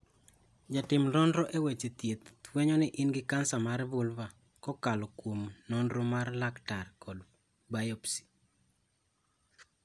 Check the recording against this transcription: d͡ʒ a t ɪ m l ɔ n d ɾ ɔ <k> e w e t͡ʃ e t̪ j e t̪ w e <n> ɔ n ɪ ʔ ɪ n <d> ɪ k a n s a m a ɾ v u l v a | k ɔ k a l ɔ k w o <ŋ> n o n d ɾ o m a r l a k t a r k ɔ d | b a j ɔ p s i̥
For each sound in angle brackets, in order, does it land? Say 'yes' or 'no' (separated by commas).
no, no, no, no